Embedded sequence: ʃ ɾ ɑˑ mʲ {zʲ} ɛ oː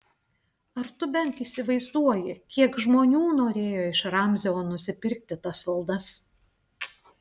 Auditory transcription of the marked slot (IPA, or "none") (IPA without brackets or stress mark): zʲ